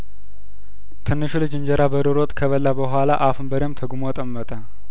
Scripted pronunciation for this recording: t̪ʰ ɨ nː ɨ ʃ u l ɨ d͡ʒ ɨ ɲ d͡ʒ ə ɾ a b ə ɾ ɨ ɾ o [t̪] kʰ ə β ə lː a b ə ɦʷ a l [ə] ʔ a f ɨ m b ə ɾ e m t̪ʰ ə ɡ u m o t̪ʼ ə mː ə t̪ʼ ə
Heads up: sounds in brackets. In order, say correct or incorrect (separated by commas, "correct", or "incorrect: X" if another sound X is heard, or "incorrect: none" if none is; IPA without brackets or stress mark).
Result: incorrect: t̪ʼ, incorrect: a